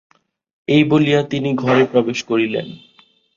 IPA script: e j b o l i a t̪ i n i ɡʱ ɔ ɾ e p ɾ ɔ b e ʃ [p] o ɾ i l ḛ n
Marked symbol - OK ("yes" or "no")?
no